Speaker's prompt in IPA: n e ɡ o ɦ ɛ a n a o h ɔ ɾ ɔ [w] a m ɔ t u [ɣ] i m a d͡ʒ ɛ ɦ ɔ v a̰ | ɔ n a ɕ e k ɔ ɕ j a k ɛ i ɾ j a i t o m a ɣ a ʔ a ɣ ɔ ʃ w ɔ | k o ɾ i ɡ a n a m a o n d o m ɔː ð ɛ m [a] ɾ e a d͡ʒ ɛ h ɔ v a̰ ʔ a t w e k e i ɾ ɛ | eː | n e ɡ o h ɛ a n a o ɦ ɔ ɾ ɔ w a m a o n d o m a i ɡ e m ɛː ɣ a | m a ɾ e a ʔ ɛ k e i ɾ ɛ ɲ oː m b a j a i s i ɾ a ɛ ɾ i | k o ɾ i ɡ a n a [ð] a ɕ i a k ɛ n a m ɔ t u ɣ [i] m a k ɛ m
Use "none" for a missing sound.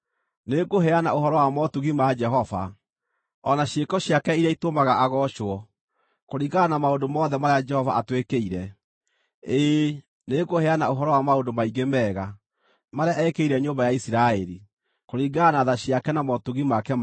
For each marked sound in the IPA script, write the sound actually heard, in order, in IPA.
w, ɣ, a, ð, i

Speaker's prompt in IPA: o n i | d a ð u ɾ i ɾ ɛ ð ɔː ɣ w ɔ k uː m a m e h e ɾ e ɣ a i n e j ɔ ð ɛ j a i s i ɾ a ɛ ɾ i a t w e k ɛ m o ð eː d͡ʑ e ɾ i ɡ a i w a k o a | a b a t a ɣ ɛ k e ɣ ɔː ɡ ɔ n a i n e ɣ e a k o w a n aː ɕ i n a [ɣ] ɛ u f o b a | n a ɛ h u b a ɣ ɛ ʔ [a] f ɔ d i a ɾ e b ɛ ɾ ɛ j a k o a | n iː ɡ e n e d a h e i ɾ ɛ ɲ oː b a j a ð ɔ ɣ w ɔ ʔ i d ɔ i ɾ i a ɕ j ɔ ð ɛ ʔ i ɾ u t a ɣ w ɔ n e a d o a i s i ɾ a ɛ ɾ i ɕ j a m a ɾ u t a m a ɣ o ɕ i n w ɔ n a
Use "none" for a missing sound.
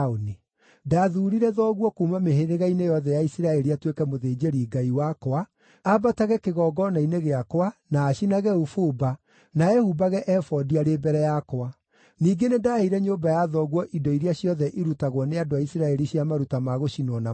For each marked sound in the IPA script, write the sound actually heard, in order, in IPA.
ɣ, ɛ

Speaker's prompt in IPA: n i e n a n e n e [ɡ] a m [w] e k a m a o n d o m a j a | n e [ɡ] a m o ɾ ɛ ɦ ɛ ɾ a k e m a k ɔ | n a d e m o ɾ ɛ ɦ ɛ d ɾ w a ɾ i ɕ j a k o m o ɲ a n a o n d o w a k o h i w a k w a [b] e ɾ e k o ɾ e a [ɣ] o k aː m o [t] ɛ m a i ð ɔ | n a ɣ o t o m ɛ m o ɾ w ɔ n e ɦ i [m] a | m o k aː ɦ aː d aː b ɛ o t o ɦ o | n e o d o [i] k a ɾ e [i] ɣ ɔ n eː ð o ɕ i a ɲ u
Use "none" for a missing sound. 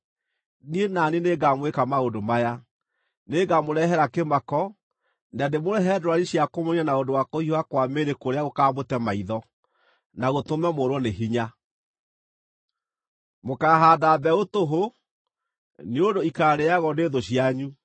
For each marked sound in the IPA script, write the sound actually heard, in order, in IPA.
ɡ, w, ɡ, m, ɣ, t, ɲ, i, a

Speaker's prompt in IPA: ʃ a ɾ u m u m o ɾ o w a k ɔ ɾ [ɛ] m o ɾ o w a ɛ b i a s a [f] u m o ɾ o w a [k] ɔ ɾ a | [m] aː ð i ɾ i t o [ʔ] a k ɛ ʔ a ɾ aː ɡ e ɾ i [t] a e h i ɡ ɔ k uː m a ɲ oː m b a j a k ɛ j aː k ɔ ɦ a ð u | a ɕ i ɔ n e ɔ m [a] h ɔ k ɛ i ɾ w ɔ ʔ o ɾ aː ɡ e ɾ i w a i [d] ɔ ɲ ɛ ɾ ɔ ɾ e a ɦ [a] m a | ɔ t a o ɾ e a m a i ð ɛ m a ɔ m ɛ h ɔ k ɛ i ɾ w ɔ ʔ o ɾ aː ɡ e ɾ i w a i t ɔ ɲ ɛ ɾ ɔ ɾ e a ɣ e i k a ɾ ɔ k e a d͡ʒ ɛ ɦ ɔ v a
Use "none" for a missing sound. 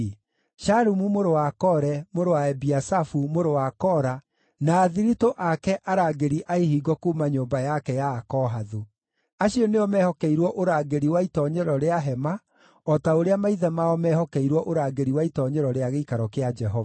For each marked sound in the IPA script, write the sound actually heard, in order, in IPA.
ɛ, f, k, n, ʔ, ʔ, ɛ, t, ɛ

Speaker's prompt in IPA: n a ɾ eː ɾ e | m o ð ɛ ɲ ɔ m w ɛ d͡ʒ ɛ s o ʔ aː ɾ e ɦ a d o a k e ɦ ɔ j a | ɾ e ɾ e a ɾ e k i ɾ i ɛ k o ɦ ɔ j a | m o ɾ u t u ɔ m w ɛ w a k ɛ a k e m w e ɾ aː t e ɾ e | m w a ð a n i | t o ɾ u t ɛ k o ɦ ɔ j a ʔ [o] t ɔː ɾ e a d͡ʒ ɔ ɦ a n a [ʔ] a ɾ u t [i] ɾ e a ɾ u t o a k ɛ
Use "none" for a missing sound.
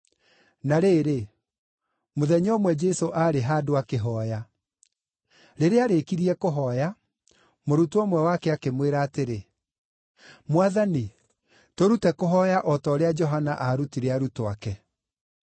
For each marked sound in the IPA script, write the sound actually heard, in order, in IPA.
ɔ, ʔ, i

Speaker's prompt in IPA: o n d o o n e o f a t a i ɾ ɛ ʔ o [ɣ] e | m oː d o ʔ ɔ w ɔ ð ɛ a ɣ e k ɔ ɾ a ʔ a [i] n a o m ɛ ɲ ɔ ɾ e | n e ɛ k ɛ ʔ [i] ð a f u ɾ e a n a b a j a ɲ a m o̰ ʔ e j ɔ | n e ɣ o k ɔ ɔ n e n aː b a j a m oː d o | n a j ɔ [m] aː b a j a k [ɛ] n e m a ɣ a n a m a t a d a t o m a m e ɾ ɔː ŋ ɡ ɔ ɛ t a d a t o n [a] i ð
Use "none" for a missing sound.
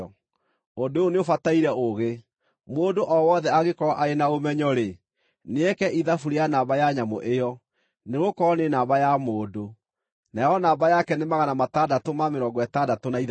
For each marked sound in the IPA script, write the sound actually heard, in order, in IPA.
ɣ, e, i, n, ɛ, a

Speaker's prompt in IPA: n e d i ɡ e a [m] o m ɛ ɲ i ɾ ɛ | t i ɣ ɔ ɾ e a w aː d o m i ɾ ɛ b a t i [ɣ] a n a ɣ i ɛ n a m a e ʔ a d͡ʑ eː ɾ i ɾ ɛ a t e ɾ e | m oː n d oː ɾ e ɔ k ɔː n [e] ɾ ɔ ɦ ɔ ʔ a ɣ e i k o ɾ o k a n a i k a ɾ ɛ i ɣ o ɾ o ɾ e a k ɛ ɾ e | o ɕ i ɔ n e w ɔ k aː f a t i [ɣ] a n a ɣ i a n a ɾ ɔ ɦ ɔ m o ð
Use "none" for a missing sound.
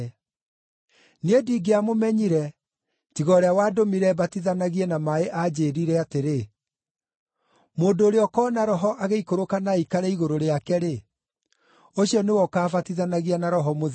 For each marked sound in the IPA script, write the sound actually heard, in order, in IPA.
m, ð, a, ð

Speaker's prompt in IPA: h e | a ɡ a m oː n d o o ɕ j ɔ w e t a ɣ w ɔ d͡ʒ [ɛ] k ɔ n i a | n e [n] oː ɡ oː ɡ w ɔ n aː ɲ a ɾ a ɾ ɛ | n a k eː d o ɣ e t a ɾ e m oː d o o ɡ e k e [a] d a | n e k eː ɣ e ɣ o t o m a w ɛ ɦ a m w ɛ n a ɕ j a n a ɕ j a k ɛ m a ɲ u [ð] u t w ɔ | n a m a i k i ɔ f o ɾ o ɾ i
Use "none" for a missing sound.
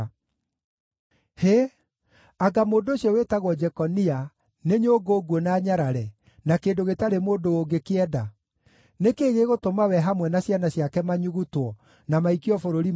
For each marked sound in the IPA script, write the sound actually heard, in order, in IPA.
ɛ, ɲ, ɛ, ɣ

